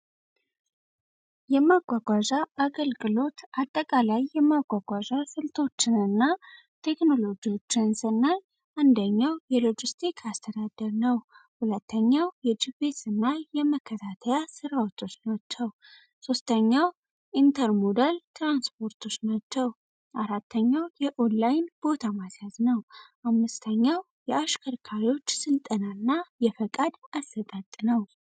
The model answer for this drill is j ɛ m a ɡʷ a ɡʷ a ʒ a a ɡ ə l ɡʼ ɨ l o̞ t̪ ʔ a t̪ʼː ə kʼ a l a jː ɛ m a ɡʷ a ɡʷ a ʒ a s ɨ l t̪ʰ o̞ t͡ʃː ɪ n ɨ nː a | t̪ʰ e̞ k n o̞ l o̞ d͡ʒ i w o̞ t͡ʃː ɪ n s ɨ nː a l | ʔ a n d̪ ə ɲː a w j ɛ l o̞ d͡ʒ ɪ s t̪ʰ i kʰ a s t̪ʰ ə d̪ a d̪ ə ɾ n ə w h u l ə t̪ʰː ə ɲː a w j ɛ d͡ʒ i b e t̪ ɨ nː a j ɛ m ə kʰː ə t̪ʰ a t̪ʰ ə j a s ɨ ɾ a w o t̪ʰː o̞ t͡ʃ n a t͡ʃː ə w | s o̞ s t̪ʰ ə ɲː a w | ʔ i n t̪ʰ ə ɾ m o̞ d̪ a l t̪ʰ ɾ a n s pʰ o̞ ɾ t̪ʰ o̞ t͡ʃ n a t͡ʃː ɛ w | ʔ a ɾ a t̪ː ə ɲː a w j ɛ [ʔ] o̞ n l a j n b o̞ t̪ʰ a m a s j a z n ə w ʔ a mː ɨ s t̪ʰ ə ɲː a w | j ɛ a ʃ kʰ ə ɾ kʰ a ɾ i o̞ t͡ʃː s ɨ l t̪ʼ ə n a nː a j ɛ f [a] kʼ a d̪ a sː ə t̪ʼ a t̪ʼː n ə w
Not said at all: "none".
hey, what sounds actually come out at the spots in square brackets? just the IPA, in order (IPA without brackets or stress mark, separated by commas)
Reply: ʔ, ə